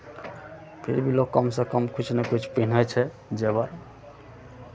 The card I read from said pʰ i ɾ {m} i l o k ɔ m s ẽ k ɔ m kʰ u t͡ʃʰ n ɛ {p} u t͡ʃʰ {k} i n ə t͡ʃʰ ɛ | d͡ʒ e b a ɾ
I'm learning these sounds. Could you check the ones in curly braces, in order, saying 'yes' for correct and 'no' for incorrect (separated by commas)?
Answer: no, no, no